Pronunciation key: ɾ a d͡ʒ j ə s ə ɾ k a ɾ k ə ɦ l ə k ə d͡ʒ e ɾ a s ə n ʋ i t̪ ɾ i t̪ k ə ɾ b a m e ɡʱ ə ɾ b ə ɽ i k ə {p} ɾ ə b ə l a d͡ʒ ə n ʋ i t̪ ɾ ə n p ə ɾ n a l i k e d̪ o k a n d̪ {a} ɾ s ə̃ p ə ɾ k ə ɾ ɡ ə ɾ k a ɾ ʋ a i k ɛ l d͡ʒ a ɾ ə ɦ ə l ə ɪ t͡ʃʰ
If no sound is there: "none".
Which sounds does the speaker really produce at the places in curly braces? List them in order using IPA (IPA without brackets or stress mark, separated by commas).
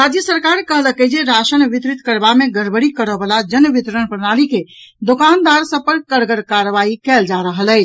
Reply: none, a